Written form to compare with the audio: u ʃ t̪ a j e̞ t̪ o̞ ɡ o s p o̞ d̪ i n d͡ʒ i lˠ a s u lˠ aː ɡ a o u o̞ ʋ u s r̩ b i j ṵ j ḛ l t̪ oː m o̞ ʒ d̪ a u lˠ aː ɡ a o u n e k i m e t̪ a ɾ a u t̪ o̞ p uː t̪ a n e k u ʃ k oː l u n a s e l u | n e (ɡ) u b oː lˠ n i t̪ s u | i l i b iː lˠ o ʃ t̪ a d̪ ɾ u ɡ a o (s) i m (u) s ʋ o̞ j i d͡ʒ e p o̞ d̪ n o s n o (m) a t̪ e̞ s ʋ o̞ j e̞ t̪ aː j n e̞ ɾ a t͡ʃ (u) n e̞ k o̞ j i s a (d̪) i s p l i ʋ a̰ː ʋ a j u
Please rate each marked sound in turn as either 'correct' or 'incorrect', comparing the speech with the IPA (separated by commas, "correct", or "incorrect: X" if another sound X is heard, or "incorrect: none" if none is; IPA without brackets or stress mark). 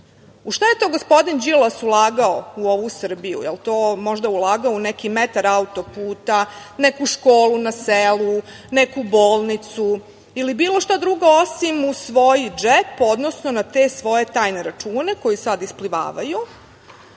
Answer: incorrect: k, correct, correct, incorrect: n, incorrect: uː, correct